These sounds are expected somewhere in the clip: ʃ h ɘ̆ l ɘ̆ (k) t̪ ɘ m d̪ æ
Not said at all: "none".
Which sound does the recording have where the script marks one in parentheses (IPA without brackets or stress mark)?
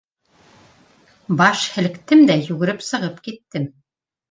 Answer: k